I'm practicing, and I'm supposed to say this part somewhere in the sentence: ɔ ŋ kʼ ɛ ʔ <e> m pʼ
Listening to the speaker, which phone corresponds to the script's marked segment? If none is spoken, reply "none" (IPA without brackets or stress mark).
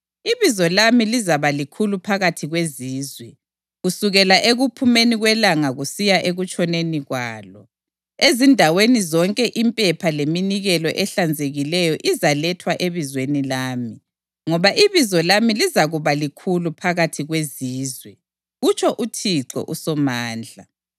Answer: i